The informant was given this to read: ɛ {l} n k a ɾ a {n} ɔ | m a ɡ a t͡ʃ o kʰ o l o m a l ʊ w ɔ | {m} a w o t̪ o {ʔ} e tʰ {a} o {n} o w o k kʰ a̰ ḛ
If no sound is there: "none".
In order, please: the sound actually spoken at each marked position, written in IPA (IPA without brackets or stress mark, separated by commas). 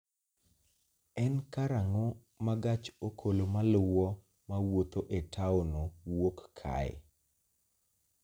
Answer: none, ŋ, m, ʔ, a, n